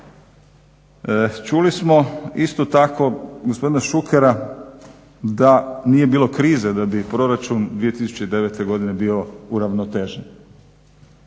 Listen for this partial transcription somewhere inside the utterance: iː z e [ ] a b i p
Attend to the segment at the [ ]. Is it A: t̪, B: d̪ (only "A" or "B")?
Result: B